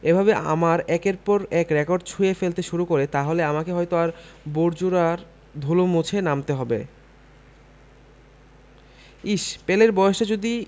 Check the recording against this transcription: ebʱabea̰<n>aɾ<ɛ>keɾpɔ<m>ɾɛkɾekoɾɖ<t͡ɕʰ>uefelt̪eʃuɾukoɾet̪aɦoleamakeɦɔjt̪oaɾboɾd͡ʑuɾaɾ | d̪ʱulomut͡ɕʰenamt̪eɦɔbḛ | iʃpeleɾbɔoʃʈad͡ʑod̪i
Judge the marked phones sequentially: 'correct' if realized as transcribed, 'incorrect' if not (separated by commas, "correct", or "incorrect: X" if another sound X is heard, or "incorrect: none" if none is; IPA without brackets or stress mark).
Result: incorrect: m, correct, incorrect: none, correct